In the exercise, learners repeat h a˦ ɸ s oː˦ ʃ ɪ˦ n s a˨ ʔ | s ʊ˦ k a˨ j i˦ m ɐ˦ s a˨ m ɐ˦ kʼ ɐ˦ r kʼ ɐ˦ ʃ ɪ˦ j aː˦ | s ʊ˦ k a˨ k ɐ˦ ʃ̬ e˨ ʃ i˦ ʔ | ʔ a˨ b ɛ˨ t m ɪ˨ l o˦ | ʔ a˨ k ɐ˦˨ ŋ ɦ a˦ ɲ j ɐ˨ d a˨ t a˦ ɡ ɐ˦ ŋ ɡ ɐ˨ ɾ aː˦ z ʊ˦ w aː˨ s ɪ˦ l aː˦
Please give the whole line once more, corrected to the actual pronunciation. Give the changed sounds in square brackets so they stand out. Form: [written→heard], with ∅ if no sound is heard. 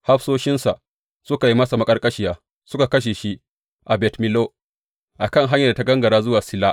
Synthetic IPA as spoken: h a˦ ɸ s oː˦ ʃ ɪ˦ n s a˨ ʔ | s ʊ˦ k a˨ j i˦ m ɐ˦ s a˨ m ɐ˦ kʼ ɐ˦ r kʼ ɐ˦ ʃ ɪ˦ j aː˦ | s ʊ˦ k a˨ k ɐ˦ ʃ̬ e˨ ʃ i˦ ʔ | ʔ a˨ b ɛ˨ t m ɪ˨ l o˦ | ʔ a˨ k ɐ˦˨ ŋ ɦ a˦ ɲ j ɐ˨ d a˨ t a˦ ɡ ɐ˦ ŋ ɡ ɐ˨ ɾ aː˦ z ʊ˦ w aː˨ s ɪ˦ l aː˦